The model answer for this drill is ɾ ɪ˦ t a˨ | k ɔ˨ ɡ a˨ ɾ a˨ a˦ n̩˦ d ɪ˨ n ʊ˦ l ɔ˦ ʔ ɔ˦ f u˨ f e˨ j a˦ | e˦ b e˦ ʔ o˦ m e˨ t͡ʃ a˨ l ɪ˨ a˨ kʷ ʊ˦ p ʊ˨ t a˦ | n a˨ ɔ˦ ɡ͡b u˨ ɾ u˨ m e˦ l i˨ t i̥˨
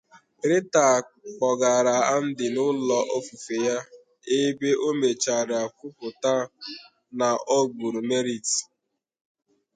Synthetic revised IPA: ɾ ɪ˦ t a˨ | k͡p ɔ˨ ɡ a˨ ɾ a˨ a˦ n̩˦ d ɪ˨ n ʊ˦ l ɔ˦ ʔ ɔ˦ f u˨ f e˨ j a˦ | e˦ b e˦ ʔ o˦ m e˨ t͡ʃ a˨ ɾ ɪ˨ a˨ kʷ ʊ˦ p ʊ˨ t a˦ | n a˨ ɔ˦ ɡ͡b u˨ ɾ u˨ m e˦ ɾ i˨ t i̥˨

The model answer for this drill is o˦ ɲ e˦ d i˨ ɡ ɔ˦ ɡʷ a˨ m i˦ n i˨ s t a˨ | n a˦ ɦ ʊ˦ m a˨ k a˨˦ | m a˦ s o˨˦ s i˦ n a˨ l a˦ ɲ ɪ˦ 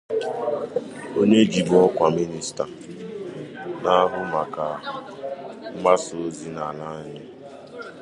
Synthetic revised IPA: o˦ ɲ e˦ d͡ʒ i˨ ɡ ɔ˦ kʷ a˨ m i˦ n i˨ s t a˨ | n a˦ ɦ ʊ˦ m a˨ k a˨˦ | m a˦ s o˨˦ z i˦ n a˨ l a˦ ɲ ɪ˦

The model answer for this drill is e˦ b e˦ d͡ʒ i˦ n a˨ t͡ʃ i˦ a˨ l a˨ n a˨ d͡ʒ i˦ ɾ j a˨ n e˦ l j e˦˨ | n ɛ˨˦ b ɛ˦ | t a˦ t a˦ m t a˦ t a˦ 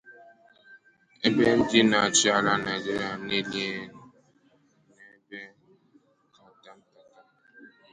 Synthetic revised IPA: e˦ b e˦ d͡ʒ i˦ n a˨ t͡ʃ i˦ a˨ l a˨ n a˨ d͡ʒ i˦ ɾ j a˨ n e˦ l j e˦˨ | n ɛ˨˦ b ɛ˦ | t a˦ t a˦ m t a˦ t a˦

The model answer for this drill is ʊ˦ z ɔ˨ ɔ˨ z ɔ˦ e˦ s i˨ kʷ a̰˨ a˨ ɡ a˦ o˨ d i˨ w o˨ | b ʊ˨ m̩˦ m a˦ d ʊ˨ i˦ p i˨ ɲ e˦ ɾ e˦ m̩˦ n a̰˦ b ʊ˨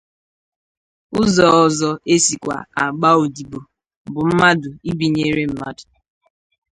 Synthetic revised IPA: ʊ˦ z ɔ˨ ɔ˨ z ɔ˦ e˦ s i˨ kʷ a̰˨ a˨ ɡ͡b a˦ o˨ d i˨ b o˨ | b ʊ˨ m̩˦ m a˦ d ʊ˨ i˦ b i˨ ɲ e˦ ɾ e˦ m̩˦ m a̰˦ d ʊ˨

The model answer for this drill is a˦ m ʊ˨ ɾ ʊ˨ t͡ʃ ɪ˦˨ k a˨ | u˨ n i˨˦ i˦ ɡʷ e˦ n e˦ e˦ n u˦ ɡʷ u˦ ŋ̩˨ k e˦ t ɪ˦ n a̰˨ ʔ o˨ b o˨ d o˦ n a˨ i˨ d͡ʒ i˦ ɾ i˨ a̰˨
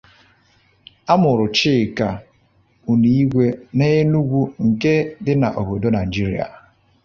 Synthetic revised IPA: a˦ m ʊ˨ ɾ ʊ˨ t͡ʃ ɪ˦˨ k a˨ | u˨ n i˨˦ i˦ ɡʷ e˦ n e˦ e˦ n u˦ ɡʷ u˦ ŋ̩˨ k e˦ d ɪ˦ n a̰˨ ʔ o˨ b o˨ d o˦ n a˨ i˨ d͡ʒ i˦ ɾ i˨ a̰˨

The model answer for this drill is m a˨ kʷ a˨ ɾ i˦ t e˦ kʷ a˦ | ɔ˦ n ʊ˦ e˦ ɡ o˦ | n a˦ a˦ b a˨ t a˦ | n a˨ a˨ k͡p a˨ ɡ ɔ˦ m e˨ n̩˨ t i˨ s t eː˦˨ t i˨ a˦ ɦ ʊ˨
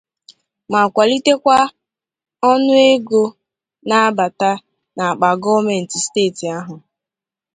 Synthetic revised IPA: m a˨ kʷ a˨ l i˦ t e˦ kʷ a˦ | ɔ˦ n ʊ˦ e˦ ɡ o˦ | n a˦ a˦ b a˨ t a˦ | n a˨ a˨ k͡p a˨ ɡ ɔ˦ m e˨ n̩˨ t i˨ s t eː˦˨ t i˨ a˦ ɦ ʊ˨

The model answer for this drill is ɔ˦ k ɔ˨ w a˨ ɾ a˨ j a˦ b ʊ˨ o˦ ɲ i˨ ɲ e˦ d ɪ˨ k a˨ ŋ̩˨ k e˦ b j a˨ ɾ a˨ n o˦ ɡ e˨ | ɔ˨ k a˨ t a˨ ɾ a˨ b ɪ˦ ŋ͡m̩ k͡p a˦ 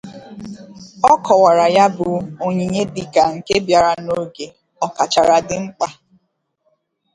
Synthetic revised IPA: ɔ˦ k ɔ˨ w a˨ ɾ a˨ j a˦ b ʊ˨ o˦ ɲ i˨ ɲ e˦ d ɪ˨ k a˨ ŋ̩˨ k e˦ b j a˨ ɾ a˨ n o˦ ɡ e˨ | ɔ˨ k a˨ t͡ʃ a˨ ɾ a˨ d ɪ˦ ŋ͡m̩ k͡p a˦

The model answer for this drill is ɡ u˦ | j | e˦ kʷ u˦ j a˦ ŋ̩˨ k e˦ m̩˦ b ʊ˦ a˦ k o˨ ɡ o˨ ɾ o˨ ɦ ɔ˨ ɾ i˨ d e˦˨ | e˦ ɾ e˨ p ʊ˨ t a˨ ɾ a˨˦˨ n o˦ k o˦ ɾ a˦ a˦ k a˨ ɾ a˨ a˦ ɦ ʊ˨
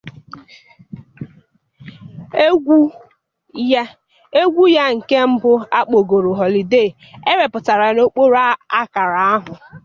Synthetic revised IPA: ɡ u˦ | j | e˦ ɡʷ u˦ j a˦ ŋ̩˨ k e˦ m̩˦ b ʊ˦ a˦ k͡p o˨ ɡ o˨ ɾ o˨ ɦ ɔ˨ l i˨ d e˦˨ | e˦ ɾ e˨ p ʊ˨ t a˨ ɾ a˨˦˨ n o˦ k͡p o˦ ɾ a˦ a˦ k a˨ ɾ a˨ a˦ ɦ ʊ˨

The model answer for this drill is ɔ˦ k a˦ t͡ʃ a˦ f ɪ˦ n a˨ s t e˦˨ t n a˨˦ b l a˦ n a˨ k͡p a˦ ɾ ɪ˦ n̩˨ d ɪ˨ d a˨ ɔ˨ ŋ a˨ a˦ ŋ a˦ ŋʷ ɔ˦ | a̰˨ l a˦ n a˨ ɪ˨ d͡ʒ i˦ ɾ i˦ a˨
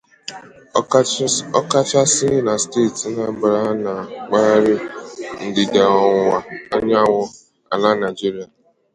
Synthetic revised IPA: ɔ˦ k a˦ t͡ʃ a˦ s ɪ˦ n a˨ s t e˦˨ t n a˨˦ b ɾ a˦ n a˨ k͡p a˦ ɾ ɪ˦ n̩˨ d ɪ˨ d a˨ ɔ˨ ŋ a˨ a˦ ɲ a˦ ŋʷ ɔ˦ | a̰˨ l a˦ n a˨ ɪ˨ d͡ʒ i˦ ɾ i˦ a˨

